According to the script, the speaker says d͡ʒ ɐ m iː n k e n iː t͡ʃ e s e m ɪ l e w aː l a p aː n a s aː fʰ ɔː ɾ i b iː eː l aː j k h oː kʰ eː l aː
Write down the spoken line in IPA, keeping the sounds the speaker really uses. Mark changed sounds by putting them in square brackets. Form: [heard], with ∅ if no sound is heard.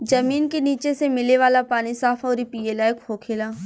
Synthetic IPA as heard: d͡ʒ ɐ m iː n k e n iː t͡ʃ e s e m ɪ l e [ʋ] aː l a p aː n [i] s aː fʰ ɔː ɾ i [p] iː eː l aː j k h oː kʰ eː l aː